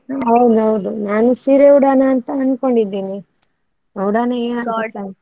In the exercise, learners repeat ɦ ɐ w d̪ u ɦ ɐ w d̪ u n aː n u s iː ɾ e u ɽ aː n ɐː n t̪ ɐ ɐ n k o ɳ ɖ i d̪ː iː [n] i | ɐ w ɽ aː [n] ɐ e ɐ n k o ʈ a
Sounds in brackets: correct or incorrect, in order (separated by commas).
correct, correct